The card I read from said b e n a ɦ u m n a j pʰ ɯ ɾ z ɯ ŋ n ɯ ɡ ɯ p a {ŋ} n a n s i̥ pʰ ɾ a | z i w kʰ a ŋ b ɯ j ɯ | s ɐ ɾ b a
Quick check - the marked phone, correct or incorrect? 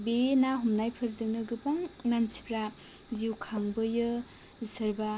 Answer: correct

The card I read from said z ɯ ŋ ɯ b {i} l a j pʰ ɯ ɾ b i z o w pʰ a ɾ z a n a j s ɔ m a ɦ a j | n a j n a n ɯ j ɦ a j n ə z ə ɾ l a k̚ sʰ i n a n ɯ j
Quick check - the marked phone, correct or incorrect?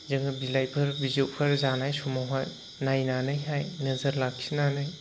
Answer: correct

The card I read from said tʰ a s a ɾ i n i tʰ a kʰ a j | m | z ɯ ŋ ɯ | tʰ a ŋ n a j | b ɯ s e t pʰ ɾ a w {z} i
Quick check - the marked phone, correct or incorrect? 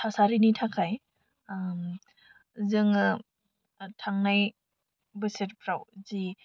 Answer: correct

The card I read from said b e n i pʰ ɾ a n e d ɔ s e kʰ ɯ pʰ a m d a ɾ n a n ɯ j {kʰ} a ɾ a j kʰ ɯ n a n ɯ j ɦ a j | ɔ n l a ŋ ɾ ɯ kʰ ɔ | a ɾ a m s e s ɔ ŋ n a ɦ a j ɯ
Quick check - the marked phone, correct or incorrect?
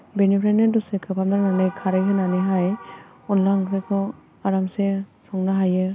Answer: correct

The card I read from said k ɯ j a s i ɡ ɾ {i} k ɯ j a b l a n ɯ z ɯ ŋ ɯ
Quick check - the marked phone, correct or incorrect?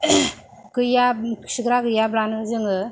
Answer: incorrect: a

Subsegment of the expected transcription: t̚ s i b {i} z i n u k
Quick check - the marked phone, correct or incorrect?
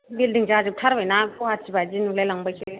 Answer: incorrect: a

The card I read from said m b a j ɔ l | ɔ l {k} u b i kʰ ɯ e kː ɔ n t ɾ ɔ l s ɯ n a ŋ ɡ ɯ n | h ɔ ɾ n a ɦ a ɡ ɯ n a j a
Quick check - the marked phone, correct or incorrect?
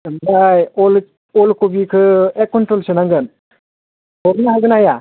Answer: correct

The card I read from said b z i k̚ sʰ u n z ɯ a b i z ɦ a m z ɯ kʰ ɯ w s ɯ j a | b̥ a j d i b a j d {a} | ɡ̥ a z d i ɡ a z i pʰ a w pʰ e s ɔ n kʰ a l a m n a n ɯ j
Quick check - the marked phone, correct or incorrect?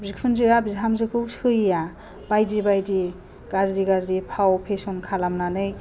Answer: incorrect: i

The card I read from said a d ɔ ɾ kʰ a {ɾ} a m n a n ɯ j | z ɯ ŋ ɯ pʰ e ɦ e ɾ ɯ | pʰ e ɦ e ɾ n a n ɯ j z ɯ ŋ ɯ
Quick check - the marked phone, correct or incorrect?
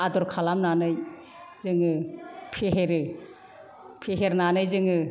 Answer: incorrect: l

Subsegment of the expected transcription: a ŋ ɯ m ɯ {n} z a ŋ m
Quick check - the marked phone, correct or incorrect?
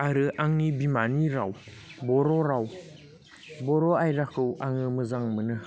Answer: incorrect: none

